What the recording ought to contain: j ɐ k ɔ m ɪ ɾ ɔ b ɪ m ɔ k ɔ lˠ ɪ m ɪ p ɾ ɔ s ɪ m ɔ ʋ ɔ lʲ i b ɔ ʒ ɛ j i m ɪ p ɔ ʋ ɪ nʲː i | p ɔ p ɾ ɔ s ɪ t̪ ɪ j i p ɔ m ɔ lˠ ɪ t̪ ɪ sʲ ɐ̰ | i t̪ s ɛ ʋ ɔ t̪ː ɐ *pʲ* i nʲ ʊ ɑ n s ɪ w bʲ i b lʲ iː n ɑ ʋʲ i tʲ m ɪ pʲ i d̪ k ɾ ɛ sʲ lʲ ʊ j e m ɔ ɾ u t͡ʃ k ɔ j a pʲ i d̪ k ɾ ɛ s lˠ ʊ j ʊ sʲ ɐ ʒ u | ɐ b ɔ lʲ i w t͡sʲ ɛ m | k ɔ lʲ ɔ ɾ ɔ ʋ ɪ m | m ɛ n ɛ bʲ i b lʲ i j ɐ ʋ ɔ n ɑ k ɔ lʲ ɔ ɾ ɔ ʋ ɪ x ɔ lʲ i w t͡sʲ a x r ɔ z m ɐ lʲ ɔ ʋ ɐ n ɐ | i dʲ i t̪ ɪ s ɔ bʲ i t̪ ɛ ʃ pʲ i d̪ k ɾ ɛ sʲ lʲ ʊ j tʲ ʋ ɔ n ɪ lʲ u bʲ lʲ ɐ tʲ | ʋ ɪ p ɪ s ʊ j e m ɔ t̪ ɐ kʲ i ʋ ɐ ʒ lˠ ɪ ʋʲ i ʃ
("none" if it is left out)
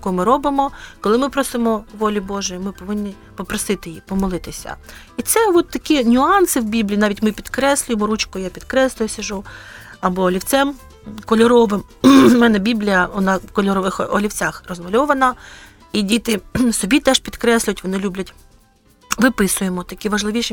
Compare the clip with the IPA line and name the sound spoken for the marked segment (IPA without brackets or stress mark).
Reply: kʲ